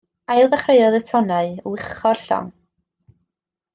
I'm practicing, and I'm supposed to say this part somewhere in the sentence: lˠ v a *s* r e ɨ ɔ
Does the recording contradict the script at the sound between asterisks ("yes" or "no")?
yes